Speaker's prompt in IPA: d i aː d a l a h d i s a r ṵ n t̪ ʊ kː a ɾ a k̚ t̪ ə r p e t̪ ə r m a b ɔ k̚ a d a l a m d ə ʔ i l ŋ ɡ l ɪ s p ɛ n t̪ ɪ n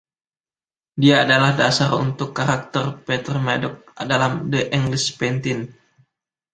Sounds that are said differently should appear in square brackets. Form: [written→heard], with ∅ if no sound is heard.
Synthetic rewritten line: d i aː d a l a h d [i→a] s a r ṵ n t̪ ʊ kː a ɾ a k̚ t̪ ə r p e t̪ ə r m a [b→d] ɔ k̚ a d a l a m d ə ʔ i [l→∅] ŋ ɡ l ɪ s p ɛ n t̪ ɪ n